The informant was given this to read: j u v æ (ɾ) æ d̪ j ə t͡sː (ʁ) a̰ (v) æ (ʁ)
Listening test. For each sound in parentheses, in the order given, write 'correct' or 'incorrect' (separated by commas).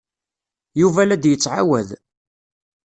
incorrect, incorrect, incorrect, incorrect